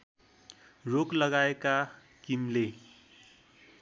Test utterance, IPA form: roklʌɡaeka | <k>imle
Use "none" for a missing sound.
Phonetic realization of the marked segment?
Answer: k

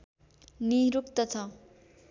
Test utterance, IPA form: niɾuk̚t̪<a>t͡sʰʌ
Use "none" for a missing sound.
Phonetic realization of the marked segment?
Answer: ʌ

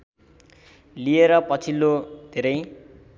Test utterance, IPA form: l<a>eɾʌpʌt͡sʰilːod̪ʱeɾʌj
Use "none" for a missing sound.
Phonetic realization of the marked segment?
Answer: i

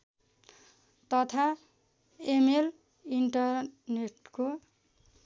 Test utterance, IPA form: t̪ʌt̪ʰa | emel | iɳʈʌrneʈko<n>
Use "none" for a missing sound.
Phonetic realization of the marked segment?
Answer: none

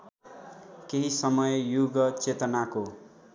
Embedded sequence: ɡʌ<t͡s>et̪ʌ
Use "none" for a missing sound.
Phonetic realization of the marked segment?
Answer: t͡s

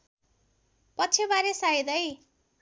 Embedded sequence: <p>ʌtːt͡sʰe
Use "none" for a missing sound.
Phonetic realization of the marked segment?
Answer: p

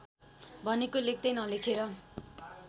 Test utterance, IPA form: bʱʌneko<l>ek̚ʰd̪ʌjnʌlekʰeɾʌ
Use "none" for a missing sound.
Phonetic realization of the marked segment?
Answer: l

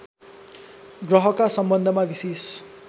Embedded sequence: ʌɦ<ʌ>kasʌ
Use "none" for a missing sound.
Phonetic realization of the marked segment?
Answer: ʌ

